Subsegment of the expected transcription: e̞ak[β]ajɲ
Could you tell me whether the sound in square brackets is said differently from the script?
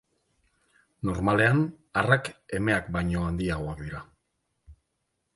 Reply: yes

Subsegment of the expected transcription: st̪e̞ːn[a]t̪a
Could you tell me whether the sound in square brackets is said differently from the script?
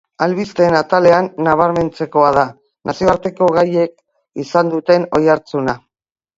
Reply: no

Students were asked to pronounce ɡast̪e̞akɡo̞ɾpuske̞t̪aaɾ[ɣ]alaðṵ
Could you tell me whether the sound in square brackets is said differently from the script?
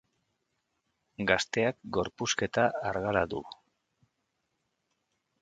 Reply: no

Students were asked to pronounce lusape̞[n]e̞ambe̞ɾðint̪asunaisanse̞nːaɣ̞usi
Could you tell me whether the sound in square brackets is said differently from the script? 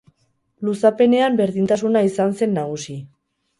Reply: no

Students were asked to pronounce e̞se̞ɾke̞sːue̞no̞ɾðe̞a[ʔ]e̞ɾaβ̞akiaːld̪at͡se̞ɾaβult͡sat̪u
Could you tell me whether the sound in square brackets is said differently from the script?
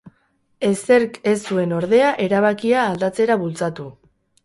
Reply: no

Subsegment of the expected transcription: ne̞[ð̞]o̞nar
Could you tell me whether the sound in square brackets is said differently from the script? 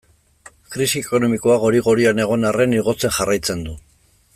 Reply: yes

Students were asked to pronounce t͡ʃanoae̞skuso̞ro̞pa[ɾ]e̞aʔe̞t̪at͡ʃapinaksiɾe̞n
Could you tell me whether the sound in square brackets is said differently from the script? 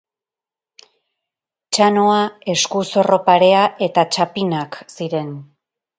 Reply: no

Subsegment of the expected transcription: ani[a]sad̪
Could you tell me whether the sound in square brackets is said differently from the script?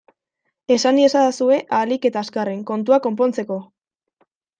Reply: yes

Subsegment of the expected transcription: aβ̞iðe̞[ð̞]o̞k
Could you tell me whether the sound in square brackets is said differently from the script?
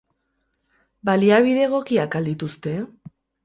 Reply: yes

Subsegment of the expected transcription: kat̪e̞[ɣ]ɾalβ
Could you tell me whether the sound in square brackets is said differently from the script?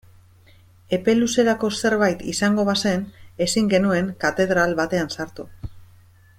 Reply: yes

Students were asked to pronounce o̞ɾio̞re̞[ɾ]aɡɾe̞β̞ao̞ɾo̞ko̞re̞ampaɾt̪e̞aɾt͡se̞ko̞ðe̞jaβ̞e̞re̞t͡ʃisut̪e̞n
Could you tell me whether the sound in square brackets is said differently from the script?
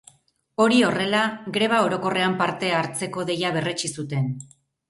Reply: yes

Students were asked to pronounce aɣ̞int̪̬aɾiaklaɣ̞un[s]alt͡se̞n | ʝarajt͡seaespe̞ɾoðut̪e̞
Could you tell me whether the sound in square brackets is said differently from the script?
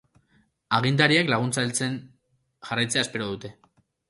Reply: yes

